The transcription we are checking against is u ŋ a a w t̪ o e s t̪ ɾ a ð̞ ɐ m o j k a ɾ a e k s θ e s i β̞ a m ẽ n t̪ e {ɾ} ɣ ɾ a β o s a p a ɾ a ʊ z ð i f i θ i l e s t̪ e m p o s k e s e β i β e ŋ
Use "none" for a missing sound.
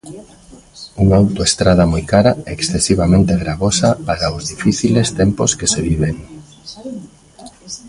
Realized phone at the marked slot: none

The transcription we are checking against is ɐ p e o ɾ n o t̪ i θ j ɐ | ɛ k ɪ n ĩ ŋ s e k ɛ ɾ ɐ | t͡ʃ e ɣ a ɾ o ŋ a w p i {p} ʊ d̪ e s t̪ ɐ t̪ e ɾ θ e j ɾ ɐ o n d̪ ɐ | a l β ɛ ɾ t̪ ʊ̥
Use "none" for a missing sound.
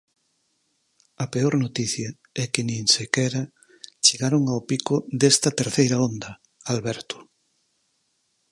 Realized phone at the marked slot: k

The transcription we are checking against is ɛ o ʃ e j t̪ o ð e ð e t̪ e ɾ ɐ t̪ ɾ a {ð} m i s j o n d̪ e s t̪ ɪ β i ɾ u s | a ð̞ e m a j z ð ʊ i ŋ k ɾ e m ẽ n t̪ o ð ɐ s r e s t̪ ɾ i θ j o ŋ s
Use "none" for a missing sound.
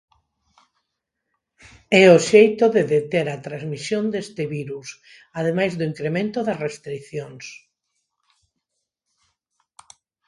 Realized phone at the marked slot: z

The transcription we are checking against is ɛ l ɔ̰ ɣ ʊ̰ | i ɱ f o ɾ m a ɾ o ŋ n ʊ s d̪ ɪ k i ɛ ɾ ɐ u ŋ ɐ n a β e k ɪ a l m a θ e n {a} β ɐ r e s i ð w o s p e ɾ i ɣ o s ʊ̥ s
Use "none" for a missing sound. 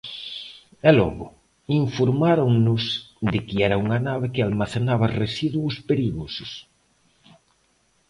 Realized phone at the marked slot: a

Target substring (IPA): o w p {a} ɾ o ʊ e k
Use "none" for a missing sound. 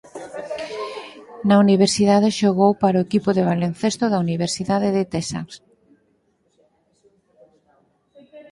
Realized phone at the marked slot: a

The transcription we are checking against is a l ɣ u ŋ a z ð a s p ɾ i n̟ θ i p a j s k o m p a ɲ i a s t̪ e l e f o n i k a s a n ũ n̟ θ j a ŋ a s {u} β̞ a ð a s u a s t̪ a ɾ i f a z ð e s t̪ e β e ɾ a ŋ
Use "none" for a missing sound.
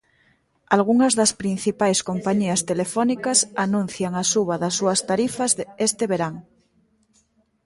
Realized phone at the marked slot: u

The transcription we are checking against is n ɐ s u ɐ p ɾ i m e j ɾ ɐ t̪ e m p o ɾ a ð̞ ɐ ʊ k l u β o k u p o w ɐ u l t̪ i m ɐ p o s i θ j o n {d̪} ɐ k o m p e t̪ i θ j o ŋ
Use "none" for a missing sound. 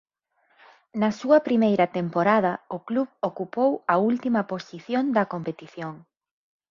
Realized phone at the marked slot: d̪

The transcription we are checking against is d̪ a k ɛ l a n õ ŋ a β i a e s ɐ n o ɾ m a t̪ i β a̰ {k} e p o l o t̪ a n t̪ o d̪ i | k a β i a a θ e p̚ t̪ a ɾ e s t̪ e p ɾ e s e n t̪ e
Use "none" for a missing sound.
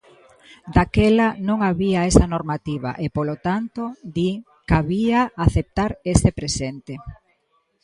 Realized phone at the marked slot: ʔ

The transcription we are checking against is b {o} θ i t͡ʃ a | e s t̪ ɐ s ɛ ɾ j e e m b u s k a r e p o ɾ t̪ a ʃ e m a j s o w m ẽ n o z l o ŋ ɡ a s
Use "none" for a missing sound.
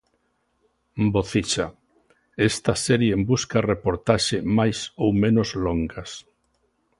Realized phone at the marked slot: o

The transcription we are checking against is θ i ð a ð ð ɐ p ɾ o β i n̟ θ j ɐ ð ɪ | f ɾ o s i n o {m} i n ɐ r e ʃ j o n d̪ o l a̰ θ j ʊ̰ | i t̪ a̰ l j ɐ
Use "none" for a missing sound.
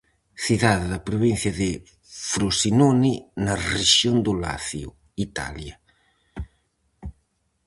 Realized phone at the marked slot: n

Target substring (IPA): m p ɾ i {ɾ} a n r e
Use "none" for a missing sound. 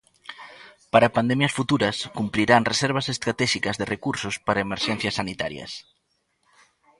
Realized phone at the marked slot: ɾ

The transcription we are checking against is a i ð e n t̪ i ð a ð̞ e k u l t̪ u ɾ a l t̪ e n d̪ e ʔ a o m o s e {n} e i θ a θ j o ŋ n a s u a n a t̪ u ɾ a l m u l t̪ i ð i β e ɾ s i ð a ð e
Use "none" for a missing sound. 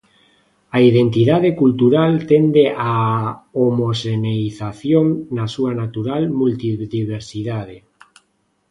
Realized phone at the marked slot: n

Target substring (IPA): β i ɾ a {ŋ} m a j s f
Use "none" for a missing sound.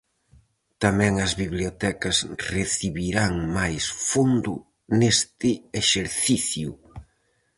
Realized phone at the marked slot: ŋ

